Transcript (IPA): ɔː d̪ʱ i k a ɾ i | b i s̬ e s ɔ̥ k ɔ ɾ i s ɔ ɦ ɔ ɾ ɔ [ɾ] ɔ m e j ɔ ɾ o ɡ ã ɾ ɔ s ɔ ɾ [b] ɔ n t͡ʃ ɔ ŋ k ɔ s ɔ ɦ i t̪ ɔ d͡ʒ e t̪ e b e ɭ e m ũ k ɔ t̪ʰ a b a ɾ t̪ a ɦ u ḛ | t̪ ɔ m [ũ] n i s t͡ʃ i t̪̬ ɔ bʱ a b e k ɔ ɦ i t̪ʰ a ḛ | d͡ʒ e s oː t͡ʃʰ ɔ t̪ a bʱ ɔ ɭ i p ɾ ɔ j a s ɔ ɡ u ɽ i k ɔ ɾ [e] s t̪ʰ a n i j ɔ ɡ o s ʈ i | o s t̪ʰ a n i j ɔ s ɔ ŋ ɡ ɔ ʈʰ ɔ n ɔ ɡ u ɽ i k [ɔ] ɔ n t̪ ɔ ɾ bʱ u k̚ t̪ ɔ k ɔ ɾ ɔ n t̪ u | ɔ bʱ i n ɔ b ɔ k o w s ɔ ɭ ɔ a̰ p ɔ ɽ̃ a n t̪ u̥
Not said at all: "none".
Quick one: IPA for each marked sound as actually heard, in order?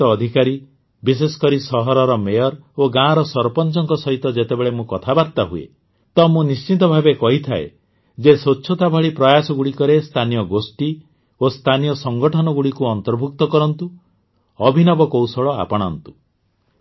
ɾ, p, ũ, e, u

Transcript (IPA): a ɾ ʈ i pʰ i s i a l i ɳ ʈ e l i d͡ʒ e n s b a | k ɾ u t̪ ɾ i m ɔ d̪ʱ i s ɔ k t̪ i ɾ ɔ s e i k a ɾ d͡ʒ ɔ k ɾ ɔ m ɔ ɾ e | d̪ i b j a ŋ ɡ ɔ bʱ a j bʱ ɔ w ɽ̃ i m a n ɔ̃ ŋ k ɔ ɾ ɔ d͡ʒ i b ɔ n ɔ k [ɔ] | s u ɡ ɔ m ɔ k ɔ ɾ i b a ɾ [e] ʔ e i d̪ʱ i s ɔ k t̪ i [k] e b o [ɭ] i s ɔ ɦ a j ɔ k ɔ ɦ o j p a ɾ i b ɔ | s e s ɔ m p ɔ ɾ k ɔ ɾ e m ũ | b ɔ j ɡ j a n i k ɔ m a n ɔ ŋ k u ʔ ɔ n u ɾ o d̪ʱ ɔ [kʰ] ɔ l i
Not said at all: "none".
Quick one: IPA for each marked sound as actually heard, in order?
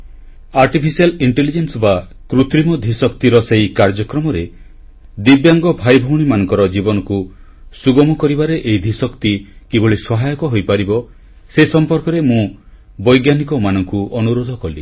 u, e, k, ɭ, k

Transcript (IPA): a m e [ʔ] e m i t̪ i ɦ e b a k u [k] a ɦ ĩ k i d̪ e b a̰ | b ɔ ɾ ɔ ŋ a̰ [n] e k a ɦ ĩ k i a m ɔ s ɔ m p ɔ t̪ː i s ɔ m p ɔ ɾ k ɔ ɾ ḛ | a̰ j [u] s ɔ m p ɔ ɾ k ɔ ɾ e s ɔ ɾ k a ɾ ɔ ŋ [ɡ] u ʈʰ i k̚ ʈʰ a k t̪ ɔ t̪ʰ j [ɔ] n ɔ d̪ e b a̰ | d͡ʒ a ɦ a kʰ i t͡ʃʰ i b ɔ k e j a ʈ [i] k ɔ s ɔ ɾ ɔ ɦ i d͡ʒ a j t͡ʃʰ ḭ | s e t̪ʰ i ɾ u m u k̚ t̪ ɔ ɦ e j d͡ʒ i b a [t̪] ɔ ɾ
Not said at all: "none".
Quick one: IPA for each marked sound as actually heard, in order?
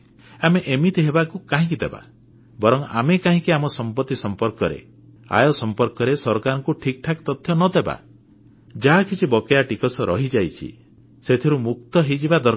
ʔ, k, m, ɔ, k, ɔ, i, d̪

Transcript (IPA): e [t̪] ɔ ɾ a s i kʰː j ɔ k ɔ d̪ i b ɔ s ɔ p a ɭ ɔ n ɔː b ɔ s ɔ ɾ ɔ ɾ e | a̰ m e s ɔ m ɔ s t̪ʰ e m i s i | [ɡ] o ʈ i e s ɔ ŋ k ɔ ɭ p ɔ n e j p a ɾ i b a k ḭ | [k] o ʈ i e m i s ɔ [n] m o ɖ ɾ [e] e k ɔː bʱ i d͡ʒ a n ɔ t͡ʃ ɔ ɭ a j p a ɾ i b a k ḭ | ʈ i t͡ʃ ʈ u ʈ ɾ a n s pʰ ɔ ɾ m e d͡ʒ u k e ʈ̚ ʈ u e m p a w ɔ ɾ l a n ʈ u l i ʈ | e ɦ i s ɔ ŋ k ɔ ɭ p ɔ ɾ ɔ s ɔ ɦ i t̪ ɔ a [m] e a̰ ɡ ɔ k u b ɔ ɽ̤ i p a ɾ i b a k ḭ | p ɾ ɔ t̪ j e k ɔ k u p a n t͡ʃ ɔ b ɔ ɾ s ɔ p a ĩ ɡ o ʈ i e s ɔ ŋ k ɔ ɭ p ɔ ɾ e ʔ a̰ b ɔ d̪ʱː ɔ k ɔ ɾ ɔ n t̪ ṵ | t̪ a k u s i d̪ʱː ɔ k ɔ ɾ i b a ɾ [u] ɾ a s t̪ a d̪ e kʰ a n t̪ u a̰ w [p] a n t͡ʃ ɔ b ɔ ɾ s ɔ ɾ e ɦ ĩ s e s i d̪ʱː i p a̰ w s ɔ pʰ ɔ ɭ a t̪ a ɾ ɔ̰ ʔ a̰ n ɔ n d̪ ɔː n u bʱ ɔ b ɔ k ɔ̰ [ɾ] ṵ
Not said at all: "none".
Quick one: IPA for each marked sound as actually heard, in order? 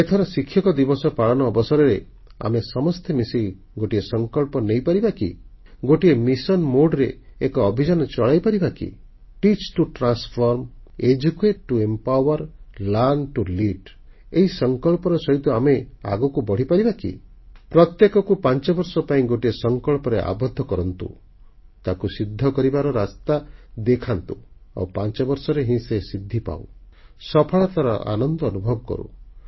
t̪ʰ, ɡ, ɡ, n, e, m, ɔ, p, ɾ

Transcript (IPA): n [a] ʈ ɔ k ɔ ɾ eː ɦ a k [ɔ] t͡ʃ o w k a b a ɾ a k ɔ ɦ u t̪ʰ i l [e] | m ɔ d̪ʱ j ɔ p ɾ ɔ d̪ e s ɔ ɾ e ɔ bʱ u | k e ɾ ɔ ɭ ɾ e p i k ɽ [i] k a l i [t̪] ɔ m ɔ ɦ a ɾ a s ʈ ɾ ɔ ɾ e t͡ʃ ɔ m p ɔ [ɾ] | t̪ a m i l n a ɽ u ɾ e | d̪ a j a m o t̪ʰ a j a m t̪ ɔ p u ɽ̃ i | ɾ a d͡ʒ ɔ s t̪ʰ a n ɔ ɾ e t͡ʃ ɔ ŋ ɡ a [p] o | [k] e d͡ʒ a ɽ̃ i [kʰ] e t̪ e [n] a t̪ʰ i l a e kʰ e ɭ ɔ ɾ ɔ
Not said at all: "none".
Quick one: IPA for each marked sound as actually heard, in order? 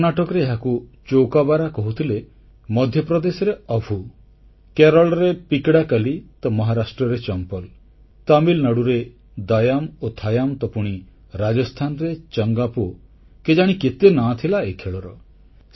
a, u, e, a, t̪, l, p, k, k, n

